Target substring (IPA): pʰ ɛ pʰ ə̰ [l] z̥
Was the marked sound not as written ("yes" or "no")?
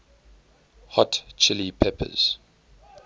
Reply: yes